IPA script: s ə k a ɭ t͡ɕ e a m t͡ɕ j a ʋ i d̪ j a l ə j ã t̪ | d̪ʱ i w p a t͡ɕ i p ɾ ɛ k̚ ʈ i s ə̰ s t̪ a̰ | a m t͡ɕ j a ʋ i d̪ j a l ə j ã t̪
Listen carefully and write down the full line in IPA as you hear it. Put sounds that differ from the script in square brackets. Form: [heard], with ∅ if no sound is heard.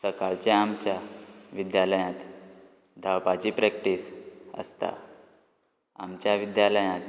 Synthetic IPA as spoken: s ə k a ɭ t͡ɕ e a m t͡ɕ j a ʋ i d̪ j a l ə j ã t̪ | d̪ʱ [a] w p a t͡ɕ i p ɾ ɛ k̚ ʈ i s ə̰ s t̪ a̰ | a m t͡ɕ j a ʋ i d̪ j a l ə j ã t̪